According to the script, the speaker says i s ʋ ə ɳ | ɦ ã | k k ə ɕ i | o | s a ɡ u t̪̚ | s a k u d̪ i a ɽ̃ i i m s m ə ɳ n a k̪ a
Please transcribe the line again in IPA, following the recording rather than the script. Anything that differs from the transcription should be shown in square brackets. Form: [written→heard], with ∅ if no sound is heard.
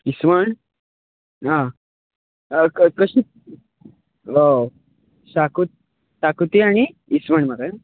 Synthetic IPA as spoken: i s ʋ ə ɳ | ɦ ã | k k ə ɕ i | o | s a [ɡ→k] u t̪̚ | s a k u [d̪→t̪] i a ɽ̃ i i [m→∅] s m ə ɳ [n→m] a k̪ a